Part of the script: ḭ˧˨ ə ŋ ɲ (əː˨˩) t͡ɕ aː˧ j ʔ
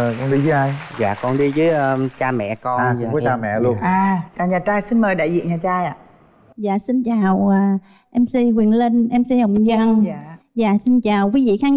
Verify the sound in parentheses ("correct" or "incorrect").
incorrect